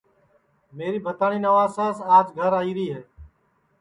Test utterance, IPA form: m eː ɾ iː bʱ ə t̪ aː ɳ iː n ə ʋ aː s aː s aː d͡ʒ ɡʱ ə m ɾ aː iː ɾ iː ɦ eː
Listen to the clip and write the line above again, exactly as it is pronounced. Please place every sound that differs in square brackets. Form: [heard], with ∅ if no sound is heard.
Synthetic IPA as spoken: m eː ɾ iː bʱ ə t̪ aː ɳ iː n ə ʋ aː s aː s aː d͡ʒ ɡʱ ə [∅] ɾ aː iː ɾ iː ɦ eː